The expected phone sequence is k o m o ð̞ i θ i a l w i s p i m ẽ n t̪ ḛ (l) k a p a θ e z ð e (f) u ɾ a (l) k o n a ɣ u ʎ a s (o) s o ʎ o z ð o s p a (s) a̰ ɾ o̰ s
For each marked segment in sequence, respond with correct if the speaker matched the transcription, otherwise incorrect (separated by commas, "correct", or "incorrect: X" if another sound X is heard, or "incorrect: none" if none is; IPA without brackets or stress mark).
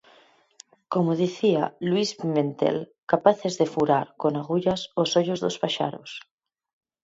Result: correct, correct, incorrect: ɾ, correct, incorrect: ʃ